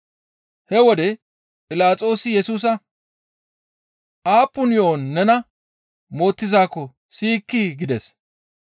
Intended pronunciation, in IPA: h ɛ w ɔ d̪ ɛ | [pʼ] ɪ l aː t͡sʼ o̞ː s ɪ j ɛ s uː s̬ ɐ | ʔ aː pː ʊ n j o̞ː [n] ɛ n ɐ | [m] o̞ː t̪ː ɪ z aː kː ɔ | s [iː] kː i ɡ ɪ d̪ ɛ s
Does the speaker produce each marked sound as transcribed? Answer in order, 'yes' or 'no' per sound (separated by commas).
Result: yes, no, yes, yes